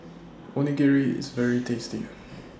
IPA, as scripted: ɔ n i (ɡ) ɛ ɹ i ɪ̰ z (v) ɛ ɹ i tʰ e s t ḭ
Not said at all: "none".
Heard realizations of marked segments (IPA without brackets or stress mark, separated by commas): ɡ, v